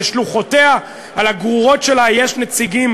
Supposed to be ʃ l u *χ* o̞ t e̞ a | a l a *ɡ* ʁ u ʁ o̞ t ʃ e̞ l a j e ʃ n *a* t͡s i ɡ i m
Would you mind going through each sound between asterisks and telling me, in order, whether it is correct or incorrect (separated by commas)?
correct, correct, incorrect